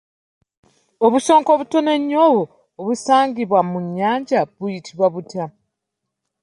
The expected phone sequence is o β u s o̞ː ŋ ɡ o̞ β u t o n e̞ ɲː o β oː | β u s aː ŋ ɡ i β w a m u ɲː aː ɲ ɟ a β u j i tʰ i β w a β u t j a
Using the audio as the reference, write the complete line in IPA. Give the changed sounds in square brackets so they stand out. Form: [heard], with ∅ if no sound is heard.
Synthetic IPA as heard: o β u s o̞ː ŋ [k] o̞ β u t o n e̞ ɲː o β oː | β u s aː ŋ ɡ i β w a m u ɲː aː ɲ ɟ a β u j i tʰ i β w a β u t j a